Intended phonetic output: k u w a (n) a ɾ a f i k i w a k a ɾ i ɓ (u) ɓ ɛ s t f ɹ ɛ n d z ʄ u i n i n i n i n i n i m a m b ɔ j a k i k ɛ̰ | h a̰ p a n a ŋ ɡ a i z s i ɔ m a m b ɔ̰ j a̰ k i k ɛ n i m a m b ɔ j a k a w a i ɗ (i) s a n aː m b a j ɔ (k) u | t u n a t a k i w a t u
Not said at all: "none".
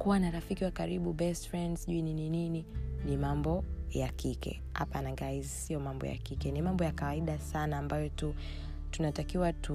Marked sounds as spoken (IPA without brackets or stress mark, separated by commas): n, u, a, t